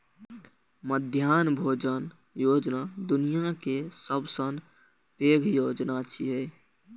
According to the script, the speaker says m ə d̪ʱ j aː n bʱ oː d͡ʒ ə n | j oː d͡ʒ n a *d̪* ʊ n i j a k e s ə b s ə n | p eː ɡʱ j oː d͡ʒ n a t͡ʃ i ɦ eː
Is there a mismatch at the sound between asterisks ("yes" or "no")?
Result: no